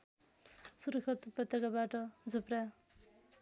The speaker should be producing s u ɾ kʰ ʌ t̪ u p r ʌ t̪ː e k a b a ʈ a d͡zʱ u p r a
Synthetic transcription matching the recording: s u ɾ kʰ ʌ t̪ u p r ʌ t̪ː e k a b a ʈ ʌ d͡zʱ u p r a